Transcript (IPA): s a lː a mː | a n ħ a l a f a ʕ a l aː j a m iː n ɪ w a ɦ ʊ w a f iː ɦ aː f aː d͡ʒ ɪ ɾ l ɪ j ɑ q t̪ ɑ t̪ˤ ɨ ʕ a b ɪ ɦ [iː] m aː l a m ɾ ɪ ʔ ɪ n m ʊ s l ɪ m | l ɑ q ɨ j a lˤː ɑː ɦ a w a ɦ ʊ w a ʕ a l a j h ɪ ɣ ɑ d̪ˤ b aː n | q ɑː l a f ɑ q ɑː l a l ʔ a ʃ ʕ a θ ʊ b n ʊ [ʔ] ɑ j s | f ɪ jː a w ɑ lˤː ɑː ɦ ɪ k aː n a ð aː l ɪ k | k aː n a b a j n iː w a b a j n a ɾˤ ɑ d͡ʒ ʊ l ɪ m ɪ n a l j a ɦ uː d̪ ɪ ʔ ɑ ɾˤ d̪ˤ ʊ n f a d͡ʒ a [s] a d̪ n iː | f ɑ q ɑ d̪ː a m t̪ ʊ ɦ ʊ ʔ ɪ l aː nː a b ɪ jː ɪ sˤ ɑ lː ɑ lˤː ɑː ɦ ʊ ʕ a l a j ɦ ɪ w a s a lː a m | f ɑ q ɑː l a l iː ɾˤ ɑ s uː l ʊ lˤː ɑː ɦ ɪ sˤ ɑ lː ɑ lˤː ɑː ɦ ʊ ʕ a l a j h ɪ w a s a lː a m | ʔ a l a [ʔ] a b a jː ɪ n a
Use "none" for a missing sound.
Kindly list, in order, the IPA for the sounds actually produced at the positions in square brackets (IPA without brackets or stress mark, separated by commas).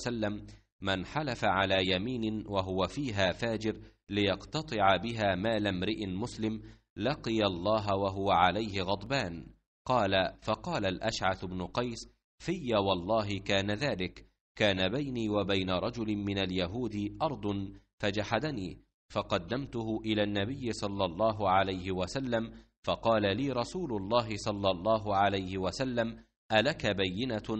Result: aː, q, ħ, k